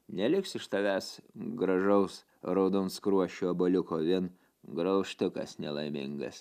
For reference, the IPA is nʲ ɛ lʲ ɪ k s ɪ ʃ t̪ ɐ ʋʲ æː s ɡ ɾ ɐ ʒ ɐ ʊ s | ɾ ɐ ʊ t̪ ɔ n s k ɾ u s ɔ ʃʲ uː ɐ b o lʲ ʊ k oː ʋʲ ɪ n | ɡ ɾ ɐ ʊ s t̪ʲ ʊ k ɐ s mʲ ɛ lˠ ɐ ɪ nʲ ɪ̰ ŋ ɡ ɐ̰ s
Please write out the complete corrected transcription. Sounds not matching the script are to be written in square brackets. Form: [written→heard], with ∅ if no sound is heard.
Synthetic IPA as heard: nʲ ɛ lʲ ɪ k s ɪ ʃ t̪ ɐ ʋʲ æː s ɡ ɾ ɐ ʒ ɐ ʊ s | ɾ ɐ ʊ [t̪→d̪] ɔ n s k ɾ u [s→∅] ɔ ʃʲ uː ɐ b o lʲ ʊ k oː ʋʲ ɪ n | ɡ ɾ ɐ ʊ [s→ʃ] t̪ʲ ʊ k ɐ s [mʲ→nʲ] ɛ lˠ ɐ ɪ [nʲ→mʲ] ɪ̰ ŋ ɡ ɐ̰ s